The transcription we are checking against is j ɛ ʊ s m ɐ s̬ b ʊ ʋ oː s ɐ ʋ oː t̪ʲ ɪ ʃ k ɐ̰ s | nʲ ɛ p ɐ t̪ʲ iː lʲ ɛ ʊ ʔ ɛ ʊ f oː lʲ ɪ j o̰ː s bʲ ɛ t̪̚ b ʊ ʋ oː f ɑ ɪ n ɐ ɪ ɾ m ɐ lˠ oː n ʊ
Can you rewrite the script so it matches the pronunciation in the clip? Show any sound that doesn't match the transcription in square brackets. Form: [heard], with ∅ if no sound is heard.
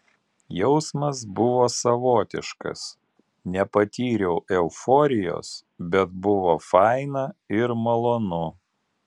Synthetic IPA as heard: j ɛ ʊ s m ɐ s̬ b ʊ ʋ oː s ɐ ʋ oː t̪ʲ ɪ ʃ k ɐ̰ s | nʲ ɛ p ɐ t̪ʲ iː [ɾʲ] ɛ ʊ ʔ ɛ ʊ f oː [ɾʲ] ɪ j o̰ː s bʲ ɛ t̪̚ b ʊ ʋ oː f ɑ ɪ n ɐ ɪ ɾ m ɐ lˠ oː n ʊ

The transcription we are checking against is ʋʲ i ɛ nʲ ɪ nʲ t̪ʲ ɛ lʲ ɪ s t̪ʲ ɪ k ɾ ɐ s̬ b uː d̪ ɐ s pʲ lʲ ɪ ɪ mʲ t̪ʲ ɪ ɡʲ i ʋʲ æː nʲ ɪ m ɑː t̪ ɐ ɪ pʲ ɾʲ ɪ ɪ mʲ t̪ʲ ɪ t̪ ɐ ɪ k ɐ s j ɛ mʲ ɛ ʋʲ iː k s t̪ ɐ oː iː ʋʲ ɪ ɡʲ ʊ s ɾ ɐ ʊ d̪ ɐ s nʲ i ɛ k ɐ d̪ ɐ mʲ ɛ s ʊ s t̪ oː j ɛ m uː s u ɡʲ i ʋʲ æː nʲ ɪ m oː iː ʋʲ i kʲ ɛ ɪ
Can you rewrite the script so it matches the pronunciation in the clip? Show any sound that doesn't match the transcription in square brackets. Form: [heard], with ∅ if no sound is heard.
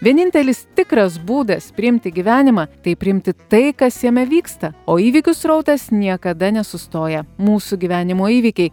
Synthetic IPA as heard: ʋʲ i ɛ nʲ ɪ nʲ t̪ʲ ɛ lʲ ɪ s t̪ʲ ɪ k ɾ ɐ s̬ b uː d̪ ɐ s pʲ [ɾʲ] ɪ ɪ mʲ t̪ʲ ɪ ɡʲ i ʋʲ æː nʲ ɪ m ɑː t̪ ɐ ɪ pʲ ɾʲ ɪ ɪ mʲ t̪ʲ ɪ t̪ ɐ ɪ k ɐ s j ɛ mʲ ɛ ʋʲ iː k s t̪ ɐ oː iː ʋʲ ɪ [kʲ] ʊ s ɾ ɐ ʊ [t̪] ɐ s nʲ i ɛ k ɐ d̪ ɐ [nʲ] ɛ s ʊ s t̪ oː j ɛ m uː s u ɡʲ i ʋʲ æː nʲ ɪ m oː iː ʋʲ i kʲ ɛ ɪ

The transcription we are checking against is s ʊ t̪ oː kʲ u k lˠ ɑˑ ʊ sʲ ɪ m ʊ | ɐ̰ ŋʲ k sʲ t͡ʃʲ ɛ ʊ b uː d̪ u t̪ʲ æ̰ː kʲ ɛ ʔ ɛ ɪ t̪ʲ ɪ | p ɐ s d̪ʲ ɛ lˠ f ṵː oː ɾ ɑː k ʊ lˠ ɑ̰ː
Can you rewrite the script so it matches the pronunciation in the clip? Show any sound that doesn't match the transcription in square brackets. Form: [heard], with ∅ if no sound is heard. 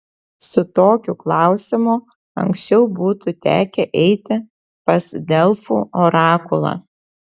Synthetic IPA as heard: s ʊ t̪ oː kʲ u k lˠ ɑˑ ʊ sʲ ɪ m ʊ | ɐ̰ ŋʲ k sʲ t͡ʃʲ ɛ ʊ b uː [t̪] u t̪ʲ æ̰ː kʲ ɛ ʔ ɛ ɪ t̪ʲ ɪ | p ɐ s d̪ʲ ɛ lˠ f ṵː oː ɾ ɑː k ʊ lˠ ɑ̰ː

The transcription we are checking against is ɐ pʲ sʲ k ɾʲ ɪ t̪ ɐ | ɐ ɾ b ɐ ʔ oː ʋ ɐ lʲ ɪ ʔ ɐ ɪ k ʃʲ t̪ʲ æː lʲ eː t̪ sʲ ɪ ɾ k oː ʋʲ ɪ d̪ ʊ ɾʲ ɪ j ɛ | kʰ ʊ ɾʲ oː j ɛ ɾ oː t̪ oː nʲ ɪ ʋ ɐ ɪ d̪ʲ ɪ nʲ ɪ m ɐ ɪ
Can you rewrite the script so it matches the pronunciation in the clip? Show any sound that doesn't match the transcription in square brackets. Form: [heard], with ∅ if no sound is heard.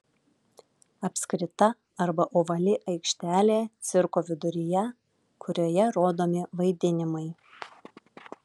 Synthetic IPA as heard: ɐ pʲ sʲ k ɾʲ ɪ t̪ ɐ | ɐ ɾ b ɐ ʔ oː ʋ ɐ lʲ ɪ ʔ ɐ ɪ k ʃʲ t̪ʲ æː lʲ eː t̪ sʲ ɪ ɾ k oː ʋʲ ɪ d̪ ʊ ɾʲ ɪ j ɛ | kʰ ʊ ɾʲ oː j ɛ ɾ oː [d̪] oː [mʲ] ɪ ʋ ɐ ɪ d̪ʲ ɪ nʲ ɪ m ɐ ɪ

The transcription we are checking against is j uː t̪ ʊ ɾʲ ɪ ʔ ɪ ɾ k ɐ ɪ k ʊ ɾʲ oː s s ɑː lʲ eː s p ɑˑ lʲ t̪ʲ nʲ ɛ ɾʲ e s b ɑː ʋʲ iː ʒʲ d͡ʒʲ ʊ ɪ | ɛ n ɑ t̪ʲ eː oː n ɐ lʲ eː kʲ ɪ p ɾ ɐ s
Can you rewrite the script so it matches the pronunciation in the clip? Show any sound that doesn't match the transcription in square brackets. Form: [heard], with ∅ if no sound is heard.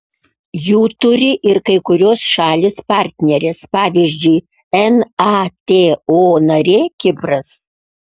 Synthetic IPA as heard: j uː t̪ ʊ ɾʲ ɪ ʔ ɪ ɾ k ɐ ɪ k ʊ ɾʲ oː s [ʃ] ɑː lʲ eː s p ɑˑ [ɾʲ] t̪ʲ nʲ ɛ ɾʲ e s [p] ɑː ʋʲ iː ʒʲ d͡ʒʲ ʊ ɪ | ɛ n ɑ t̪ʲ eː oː n ɐ [ɾʲ] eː kʲ ɪ p ɾ ɐ s

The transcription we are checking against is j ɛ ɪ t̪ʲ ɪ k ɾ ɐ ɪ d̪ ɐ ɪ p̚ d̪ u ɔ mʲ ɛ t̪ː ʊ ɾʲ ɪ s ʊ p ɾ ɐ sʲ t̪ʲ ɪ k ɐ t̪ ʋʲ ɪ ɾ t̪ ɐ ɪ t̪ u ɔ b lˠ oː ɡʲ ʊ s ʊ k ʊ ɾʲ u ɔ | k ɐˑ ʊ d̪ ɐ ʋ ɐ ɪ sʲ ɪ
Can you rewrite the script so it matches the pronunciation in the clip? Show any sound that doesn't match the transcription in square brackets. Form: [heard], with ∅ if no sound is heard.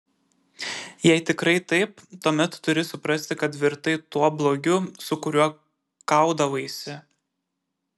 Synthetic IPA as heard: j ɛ ɪ t̪ʲ ɪ k ɾ ɐ ɪ [t̪] ɐ ɪ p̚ [t̪] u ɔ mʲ ɛ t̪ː ʊ ɾʲ ɪ s ʊ p ɾ ɐ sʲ t̪ʲ ɪ k ɐ t̪ ʋʲ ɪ ɾ t̪ ɐ ɪ t̪ u ɔ b lˠ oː ɡʲ ʊ s ʊ k ʊ ɾʲ u ɔ | k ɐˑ ʊ d̪ ɐ ʋ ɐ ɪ sʲ ɪ

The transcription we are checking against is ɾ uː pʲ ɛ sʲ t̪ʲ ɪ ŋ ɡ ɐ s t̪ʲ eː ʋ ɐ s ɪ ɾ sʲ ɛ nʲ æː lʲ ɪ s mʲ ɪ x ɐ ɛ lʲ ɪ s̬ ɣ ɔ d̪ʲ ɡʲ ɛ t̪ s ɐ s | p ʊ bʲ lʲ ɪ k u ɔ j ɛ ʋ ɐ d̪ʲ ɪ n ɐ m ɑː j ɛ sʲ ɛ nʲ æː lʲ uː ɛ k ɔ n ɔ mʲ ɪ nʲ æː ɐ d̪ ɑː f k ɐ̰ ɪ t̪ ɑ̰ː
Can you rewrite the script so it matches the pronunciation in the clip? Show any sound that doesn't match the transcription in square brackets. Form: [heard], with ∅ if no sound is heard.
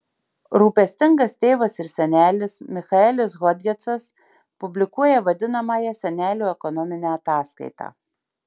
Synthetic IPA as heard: ɾ uː pʲ ɛ sʲ t̪ʲ ɪ ŋ ɡ ɐ s t̪ʲ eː ʋ ɐ s ɪ ɾ sʲ ɛ nʲ æː lʲ ɪ s mʲ ɪ x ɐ ɛ lʲ ɪ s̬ ɣ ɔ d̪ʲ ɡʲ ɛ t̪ s ɐ s | p ʊ bʲ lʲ ɪ k u ɔ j ɛ ʋ ɐ d̪ʲ ɪ n ɐ m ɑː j ɛ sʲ ɛ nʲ æː lʲ uː ɛ k ɔ n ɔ mʲ ɪ nʲ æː ɐ [t̪] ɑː [s] k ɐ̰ ɪ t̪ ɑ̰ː

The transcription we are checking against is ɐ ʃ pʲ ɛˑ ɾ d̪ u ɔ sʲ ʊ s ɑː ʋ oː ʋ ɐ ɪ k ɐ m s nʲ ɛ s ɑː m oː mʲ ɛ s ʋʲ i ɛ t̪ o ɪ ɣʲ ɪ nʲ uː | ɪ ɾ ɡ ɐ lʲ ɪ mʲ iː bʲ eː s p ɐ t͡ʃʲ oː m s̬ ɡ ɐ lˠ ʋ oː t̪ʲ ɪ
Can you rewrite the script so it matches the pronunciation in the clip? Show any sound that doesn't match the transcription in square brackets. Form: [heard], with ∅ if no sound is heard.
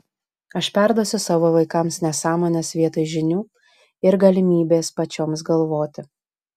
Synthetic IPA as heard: ɐ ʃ pʲ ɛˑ ɾ d̪ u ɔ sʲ ʊ s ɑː ʋ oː ʋ ɐ ɪ k ɐ m s nʲ ɛ s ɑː m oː [nʲ] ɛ s ʋʲ i ɛ t̪ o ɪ [ʒʲ] ɪ nʲ uː | ɪ ɾ ɡ ɐ lʲ ɪ mʲ iː bʲ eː s p ɐ t͡ʃʲ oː m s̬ ɡ ɐ lˠ ʋ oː t̪ʲ ɪ

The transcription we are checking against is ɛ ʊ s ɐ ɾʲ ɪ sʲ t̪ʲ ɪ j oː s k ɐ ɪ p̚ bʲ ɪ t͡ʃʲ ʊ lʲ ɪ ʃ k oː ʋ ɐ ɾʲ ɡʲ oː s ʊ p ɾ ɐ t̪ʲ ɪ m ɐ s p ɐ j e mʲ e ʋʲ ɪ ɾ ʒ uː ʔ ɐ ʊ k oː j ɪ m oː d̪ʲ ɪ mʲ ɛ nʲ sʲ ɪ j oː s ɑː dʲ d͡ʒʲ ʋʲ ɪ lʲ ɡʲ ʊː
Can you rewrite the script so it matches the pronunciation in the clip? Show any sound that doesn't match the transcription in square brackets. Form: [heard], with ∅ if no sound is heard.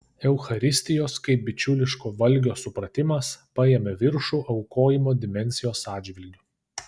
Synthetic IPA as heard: ɛ ʊ [x] ɐ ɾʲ ɪ sʲ t̪ʲ ɪ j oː s k ɐ ɪ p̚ bʲ ɪ t͡ʃʲ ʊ lʲ ɪ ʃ k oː ʋ ɐ [lʲ] ɡʲ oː s ʊ p ɾ ɐ t̪ʲ ɪ m ɐ s p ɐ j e mʲ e ʋʲ ɪ ɾ [ʃ] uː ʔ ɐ ʊ k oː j ɪ m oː d̪ʲ ɪ mʲ ɛ nʲ sʲ ɪ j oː s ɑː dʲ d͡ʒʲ ʋʲ ɪ lʲ ɡʲ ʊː

